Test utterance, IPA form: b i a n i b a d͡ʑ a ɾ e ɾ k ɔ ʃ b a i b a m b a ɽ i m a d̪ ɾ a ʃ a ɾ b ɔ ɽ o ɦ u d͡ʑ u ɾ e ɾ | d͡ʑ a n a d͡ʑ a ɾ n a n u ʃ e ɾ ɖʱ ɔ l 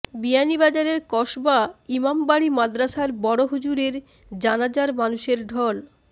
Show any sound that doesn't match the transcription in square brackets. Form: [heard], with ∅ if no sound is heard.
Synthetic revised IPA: b i a n i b a d͡ʑ a ɾ e ɾ k ɔ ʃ b a i [m] a m b a ɽ i m a d̪ ɾ a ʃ a ɾ b ɔ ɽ o ɦ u d͡ʑ u ɾ e ɾ | d͡ʑ a n a d͡ʑ a ɾ [m] a n u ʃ e ɾ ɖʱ ɔ l

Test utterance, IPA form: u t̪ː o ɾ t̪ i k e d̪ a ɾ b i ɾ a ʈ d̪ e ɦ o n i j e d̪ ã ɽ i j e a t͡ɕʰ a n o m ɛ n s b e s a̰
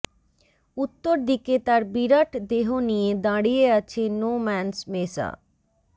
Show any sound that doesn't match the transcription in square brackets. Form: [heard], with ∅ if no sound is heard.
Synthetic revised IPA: u t̪ː o ɾ [d̪] i k e [t̪] a ɾ b i ɾ a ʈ d̪ e ɦ o n i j e d̪ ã ɽ i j e a t͡ɕʰ [e] n o m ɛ n s [m] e s a̰

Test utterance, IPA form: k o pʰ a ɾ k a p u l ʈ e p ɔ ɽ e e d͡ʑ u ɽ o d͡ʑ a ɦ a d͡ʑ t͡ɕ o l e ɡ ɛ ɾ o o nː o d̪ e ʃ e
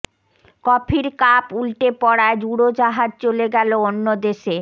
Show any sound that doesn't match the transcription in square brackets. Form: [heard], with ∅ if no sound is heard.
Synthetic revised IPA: k [ɔ] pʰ [i] ɾ k a p u l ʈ e p ɔ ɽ [a] e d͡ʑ u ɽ o d͡ʑ a ɦ a d͡ʑ t͡ɕ o l e ɡ ɛ [l] o o nː o d̪ e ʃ e

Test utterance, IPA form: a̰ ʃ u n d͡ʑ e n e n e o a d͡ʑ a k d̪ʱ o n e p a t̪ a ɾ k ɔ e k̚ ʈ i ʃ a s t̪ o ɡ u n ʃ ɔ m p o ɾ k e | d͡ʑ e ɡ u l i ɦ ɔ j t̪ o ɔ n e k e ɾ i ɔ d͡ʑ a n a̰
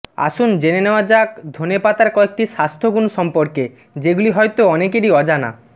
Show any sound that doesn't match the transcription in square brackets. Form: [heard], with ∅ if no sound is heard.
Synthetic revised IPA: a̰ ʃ u n d͡ʑ e n e n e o a d͡ʑ a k d̪ʱ o n e p a t̪ a ɾ k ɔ e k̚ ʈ i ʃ a s [t̪ʰ] o ɡ u n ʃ ɔ m p o ɾ k e | d͡ʑ e ɡ u l i ɦ ɔ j t̪ o ɔ n e k e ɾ i ɔ d͡ʑ a n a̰

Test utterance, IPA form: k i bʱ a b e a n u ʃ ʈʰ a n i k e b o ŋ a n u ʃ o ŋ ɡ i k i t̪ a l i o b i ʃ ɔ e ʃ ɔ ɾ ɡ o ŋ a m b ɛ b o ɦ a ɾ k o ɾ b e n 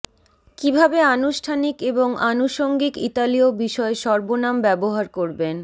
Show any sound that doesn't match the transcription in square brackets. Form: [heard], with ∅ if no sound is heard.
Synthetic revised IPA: k i bʱ a b e a n u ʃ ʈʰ a n i k e b o ŋ a n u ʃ o ŋ ɡ i k i t̪ a l i o b i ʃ ɔ e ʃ ɔ ɾ [b] o [n] a m b ɛ b o ɦ a ɾ k o ɾ b e n

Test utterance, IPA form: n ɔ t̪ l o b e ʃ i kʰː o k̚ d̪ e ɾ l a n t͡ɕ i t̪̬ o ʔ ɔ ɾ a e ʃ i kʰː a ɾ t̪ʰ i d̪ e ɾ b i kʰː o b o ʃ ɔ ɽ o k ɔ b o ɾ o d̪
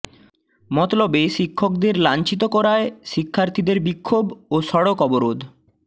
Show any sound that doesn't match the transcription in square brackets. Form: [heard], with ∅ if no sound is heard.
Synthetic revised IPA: [m] ɔ t̪ l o b e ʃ i kʰː o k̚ d̪ e ɾ l a n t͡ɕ i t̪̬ o [k] ɔ ɾ a e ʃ i kʰː a ɾ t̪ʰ i d̪ e ɾ b i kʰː o b o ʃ ɔ ɽ o k ɔ b o ɾ o d̪

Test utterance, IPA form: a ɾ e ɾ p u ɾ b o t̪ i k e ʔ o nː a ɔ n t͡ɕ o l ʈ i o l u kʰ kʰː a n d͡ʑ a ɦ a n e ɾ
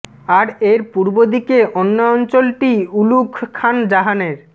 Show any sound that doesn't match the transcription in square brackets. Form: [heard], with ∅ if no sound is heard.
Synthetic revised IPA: a ɾ e ɾ p u ɾ b o [d̪] i k e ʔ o nː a ɔ n t͡ɕ o l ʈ i [u] l u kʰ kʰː a n d͡ʑ a ɦ a n e ɾ

